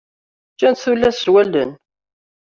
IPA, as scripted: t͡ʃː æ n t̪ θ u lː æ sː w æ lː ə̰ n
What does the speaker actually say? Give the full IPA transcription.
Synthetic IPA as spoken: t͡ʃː æ n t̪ θ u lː æ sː w æ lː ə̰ n